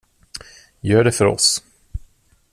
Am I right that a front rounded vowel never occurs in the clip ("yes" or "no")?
no